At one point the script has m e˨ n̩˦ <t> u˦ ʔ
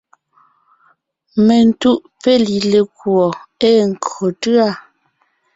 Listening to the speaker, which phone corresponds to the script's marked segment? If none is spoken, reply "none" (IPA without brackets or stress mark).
t